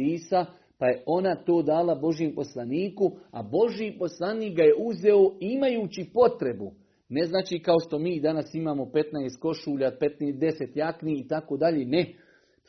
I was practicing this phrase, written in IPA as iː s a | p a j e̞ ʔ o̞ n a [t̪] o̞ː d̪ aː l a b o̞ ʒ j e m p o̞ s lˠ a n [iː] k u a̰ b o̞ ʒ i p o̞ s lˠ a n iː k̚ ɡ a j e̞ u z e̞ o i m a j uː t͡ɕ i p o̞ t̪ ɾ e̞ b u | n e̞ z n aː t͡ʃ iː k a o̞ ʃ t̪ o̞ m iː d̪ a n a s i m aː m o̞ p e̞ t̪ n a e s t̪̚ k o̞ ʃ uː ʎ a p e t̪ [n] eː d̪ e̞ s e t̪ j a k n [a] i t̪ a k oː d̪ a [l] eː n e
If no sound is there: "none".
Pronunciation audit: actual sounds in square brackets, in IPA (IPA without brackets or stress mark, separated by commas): t̪, iː, n, i, ʎ